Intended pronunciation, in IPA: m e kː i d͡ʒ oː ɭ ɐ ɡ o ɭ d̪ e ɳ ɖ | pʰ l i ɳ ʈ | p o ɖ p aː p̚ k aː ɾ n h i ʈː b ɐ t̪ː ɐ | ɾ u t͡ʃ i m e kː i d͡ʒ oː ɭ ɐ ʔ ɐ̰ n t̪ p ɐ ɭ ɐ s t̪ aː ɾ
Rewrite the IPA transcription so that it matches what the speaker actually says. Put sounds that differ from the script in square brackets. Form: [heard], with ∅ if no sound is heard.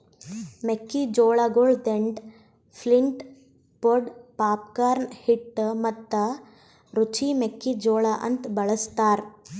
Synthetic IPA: m e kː i d͡ʒ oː ɭ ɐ ɡ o ɭ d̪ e ɳ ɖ | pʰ l i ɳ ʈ | p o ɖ p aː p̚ k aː ɾ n h i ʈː [m] ɐ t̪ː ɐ | ɾ u t͡ʃ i m e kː i d͡ʒ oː ɭ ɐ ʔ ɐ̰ n t̪ [b] ɐ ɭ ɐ s t̪ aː ɾ